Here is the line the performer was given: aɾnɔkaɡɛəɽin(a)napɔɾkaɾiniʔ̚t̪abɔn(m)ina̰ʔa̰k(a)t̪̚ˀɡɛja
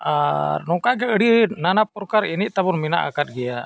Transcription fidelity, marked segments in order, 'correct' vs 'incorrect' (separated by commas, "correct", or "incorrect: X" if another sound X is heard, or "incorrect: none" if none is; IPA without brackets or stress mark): correct, correct, correct